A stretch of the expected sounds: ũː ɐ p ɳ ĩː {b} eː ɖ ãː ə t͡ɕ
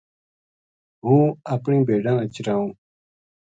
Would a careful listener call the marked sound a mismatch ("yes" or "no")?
no